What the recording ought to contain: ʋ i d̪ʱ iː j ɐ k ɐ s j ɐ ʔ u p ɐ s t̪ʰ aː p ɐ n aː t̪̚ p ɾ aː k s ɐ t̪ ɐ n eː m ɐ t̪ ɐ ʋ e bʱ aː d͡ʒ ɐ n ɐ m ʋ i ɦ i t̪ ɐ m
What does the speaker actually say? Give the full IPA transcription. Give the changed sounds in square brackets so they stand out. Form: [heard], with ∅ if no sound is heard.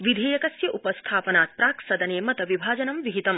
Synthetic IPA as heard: ʋ i d̪ʱ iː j ɐ k ɐ s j ɐ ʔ u p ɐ s t̪ʰ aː p ɐ n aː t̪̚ p ɾ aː k s ɐ [d̪] ɐ n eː m ɐ t̪ ɐ ʋ [i] bʱ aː d͡ʒ ɐ n ɐ m ʋ i ɦ i t̪ ɐ m